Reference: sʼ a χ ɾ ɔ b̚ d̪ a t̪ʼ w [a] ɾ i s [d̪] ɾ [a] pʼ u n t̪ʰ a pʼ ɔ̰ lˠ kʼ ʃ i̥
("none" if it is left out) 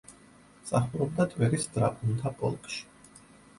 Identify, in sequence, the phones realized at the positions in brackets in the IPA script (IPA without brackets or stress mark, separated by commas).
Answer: ɛ, d̪, a